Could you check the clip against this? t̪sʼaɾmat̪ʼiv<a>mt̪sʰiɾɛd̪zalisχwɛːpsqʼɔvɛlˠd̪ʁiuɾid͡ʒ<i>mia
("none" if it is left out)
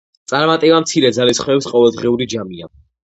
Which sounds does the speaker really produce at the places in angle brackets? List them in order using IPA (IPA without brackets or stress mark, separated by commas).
a, a